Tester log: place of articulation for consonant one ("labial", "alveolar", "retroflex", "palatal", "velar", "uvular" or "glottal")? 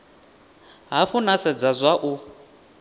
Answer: glottal